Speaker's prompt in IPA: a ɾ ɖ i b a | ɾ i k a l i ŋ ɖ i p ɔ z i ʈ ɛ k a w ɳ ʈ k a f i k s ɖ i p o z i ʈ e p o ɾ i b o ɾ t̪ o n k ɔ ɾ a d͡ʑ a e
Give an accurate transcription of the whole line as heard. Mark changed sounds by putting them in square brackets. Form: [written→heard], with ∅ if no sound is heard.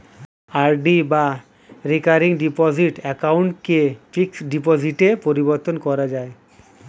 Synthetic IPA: a ɾ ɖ i b a | ɾ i k a [l→ɾ] i ŋ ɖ i p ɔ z i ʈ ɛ k a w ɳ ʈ k [a→e] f i k s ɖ i p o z i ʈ e p o ɾ i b o ɾ t̪ o n k ɔ ɾ a d͡ʑ a e

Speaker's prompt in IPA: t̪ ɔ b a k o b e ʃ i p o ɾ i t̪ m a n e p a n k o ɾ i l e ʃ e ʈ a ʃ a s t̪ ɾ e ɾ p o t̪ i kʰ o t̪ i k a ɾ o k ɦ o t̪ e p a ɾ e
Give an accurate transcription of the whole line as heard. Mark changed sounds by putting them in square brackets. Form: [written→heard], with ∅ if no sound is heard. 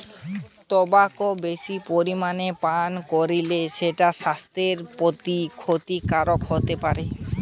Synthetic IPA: t̪ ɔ b a k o b e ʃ i p o ɾ i [t̪→∅] m a n e p a n k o ɾ i l e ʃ e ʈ a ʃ a s t̪ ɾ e ɾ p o t̪ i kʰ o t̪ i k a ɾ o k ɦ o t̪ e p a ɾ e

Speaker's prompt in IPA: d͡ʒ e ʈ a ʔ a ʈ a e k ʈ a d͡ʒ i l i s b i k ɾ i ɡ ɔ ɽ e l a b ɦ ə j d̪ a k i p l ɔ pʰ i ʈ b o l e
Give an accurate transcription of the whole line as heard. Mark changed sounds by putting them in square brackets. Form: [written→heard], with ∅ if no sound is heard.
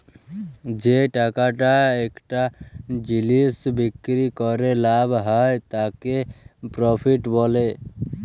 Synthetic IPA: d͡ʒ e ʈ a [ʔ→k] a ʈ a e k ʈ a d͡ʒ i l i s b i k ɾ i [ɡ→k] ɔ [ɽ→ɾ] e l a b ɦ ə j [d̪→t̪] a k [i→e] p [l→ɾ] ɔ pʰ i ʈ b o l e

